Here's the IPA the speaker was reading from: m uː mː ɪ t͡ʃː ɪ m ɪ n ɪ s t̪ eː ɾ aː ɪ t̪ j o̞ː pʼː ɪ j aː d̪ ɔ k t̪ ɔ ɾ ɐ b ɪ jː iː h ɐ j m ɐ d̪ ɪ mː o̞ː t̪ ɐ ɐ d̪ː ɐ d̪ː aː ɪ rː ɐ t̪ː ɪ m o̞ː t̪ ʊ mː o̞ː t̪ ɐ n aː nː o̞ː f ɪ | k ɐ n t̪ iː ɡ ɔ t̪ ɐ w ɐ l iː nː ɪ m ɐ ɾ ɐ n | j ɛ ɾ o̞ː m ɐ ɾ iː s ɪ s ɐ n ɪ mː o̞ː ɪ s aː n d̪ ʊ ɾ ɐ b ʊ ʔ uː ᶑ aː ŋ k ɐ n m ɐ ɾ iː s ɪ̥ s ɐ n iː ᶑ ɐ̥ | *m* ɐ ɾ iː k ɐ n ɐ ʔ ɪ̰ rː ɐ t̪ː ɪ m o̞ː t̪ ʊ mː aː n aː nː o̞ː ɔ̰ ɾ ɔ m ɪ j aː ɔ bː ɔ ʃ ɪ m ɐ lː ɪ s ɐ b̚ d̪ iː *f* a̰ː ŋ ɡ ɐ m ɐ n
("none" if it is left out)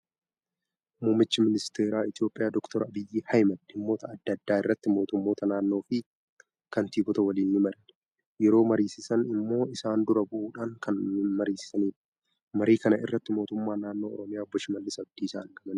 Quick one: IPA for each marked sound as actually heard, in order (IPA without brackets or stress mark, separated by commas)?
m, s